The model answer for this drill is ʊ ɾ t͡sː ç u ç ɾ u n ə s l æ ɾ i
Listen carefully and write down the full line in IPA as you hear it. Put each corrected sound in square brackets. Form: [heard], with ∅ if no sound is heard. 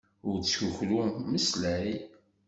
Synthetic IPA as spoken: ʊ ɾ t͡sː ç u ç [l] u [m] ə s l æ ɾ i